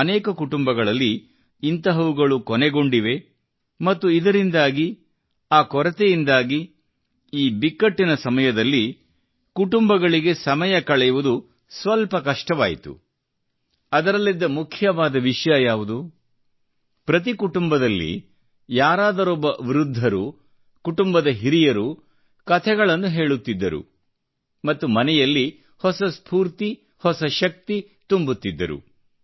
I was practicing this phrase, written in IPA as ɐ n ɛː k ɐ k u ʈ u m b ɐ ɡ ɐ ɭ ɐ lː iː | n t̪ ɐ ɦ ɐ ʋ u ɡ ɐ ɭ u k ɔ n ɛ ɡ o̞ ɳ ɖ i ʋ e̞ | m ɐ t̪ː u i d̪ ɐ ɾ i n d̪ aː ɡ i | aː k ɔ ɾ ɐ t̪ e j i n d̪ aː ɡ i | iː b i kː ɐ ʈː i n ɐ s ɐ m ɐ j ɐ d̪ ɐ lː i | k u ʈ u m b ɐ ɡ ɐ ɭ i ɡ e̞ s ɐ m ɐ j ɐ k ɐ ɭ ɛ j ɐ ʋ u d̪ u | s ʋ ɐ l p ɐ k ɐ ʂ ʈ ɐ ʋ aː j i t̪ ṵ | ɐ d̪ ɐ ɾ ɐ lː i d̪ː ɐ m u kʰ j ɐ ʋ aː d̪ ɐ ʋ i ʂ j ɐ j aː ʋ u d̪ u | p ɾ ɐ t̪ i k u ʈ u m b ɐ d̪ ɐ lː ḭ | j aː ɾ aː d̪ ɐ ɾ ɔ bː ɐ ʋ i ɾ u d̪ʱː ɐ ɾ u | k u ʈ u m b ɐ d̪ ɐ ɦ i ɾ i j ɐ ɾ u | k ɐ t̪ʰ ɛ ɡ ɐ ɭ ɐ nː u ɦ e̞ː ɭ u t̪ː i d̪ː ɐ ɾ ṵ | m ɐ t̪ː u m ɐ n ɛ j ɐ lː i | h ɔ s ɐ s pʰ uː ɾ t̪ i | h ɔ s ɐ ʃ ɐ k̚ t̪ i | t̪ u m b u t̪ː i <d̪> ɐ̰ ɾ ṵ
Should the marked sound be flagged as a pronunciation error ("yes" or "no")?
yes